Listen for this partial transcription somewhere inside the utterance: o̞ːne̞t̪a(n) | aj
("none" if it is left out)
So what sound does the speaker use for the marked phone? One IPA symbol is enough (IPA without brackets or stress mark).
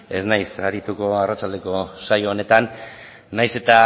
nː